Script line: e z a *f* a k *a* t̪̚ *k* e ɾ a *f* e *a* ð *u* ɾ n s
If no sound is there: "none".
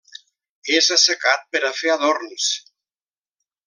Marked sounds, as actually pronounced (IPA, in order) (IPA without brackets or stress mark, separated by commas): s, a, p, f, a, o